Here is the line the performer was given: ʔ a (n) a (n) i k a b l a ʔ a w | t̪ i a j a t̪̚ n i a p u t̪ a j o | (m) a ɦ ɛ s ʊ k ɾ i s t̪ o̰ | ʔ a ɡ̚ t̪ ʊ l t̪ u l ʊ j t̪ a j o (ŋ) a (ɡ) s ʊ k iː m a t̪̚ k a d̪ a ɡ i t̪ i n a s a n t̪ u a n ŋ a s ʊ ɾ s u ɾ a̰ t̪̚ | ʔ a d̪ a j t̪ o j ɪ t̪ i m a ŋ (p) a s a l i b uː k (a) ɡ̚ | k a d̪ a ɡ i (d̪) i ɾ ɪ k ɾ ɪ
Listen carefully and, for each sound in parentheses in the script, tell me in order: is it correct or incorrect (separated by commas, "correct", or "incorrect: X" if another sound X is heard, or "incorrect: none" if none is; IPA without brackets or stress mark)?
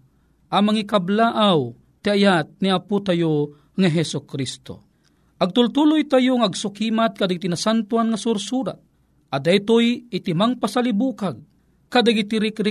incorrect: m, incorrect: ŋ, incorrect: ŋ, correct, correct, correct, correct, incorrect: t̪